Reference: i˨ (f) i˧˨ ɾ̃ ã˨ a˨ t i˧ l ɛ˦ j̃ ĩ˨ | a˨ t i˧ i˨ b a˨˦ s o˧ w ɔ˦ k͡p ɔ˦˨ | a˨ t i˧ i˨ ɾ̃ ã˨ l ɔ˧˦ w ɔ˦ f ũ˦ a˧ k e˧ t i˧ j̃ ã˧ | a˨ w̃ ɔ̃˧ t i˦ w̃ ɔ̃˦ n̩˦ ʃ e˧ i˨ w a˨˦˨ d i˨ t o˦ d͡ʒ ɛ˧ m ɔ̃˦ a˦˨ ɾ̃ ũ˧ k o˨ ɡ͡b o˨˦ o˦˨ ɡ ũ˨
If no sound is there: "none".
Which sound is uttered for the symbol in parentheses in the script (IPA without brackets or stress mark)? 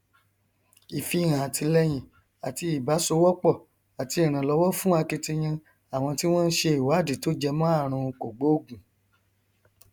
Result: f